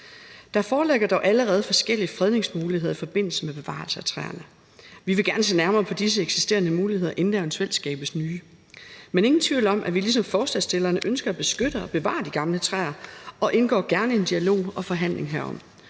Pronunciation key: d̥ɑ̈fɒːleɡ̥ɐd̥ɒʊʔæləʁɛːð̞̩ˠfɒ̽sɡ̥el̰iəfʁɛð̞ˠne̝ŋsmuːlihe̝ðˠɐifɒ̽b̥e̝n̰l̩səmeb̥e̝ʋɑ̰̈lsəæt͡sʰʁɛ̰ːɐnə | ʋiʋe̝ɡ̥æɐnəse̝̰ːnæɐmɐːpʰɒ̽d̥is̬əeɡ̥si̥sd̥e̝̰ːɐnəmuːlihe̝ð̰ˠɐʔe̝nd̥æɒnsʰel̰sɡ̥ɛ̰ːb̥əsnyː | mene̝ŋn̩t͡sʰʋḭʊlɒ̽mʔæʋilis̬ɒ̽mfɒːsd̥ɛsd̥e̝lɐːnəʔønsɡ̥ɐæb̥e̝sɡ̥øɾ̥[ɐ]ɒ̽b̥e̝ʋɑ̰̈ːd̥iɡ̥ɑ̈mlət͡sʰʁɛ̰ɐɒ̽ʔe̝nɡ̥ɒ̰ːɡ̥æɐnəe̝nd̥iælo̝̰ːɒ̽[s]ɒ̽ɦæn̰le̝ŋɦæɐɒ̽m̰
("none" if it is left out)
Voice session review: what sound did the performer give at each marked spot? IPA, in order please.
ə, f

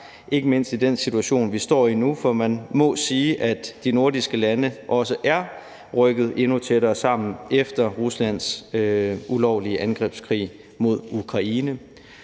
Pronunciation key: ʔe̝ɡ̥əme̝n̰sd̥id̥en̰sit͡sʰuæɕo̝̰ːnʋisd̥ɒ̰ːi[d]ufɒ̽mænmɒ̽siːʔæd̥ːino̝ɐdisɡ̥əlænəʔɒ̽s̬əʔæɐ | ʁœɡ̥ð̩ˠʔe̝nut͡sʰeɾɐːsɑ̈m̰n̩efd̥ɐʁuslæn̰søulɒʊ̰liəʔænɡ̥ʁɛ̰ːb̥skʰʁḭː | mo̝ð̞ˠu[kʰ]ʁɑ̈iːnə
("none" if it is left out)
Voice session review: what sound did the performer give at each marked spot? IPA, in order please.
n, kʰ

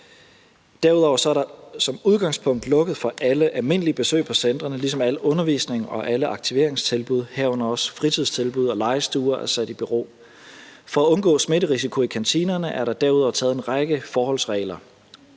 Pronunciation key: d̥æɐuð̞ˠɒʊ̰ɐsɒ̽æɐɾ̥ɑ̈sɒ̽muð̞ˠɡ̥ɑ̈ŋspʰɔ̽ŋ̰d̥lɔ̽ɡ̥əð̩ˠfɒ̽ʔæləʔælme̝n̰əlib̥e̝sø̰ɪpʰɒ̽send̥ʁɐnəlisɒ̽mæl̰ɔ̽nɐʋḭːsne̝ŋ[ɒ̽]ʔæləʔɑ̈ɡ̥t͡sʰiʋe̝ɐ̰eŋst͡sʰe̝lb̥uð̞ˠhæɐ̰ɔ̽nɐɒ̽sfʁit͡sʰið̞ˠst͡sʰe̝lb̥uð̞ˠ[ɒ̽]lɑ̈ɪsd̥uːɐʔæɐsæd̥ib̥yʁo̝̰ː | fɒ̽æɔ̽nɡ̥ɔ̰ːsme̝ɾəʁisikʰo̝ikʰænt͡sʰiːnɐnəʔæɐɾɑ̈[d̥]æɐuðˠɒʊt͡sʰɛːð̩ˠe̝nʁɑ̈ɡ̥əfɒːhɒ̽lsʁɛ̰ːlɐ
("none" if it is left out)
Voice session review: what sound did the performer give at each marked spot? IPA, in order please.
ɒ̽, ɒ̽, d̥

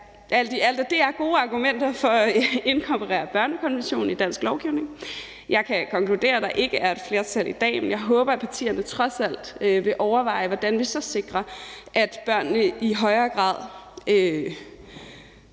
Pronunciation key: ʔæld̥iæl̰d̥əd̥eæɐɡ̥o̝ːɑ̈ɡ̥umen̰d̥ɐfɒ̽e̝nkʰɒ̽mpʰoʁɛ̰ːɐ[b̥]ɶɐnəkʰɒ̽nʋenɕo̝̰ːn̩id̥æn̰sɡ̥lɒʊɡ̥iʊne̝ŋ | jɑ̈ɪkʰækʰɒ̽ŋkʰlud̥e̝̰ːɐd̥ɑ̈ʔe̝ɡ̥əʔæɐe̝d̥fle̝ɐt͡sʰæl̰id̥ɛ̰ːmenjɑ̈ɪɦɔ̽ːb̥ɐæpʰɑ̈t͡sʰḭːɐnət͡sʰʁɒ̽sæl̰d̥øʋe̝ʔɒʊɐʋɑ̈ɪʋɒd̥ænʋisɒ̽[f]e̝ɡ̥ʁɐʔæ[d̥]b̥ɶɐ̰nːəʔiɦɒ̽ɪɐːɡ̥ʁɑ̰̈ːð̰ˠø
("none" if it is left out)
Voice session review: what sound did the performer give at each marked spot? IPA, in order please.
b̥, s, d̥

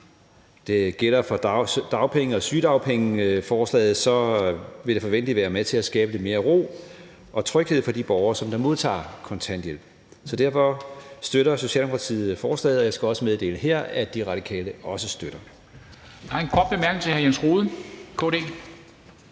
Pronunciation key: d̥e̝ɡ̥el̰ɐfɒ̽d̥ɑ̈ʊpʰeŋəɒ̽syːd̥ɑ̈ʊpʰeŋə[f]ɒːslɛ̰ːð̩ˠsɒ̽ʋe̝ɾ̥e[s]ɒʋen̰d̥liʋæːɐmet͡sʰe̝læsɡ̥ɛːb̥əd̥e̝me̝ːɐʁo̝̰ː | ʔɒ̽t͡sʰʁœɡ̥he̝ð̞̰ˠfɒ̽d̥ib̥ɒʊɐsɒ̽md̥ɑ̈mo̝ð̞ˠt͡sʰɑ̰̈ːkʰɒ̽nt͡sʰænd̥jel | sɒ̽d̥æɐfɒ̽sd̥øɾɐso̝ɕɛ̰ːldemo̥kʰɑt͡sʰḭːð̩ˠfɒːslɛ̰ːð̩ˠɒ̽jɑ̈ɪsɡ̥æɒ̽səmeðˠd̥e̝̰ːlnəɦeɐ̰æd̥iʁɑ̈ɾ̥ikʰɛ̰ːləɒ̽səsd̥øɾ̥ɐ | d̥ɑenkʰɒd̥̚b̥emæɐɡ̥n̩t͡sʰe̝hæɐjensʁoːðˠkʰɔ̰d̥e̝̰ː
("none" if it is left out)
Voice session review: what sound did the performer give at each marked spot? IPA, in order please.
f, f

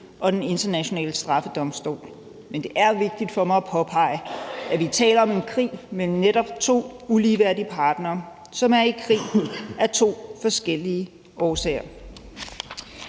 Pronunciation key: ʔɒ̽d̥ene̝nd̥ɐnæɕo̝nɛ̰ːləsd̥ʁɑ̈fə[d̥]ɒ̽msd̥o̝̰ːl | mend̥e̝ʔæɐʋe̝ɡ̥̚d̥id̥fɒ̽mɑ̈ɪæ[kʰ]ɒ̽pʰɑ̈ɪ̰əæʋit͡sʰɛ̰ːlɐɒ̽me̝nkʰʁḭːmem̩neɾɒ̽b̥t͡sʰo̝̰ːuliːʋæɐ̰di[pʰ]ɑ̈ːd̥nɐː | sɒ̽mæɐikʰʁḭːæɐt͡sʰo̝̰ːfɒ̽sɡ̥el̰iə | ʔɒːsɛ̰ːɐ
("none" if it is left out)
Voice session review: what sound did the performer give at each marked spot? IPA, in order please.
d̥, pʰ, pʰ

